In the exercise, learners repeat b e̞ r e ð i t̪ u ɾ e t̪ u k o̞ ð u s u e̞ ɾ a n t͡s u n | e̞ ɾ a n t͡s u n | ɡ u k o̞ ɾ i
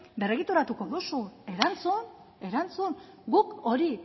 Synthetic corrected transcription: b e̞ r e ɣ i t̪ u ɾ a t̪ u k o̞ ð u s u e̞ ɾ a n t͡s u n | e̞ ɾ a n t͡s u n | ɡ u k o̞ ɾ i